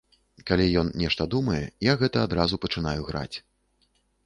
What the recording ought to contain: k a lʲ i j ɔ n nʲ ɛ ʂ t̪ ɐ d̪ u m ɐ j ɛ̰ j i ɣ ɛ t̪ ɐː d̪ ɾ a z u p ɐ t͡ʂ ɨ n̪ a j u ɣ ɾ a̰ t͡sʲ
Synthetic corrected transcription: k a lʲ i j ɔ n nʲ ɛ ʂ t̪ ɐ d̪ u m ɐ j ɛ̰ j a ɣ ɛ t̪ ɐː d̪ ɾ a z u p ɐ t͡ʂ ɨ n̪ a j u ɣ ɾ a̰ t͡sʲ